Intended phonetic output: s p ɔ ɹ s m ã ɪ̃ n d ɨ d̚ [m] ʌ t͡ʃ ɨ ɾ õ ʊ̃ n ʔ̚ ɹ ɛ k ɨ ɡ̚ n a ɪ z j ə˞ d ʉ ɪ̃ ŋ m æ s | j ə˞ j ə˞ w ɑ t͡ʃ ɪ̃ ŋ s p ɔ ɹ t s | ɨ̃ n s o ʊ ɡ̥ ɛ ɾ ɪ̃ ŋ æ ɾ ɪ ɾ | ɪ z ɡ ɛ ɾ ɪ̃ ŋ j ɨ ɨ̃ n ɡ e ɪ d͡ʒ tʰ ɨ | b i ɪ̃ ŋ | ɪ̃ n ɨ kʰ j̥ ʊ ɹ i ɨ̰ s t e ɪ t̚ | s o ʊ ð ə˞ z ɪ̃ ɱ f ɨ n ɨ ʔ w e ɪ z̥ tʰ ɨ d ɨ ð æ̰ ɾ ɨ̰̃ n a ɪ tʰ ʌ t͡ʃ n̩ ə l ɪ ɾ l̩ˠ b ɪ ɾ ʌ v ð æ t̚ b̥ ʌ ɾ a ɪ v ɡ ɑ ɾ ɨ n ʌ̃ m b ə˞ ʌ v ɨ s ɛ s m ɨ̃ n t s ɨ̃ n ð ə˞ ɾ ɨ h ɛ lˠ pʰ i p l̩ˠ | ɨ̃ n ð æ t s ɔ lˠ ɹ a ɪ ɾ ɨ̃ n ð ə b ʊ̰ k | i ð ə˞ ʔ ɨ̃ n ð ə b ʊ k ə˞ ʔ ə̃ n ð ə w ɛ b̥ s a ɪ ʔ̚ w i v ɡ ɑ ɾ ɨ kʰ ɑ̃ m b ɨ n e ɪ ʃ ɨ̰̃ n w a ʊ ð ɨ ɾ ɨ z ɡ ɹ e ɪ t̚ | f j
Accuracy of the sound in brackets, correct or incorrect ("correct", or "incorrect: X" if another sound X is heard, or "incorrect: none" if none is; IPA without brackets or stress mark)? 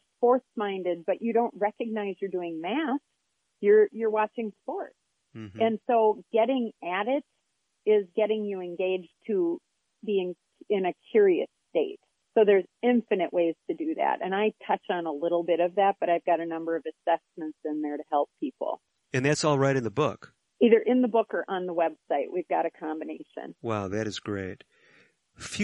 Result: incorrect: b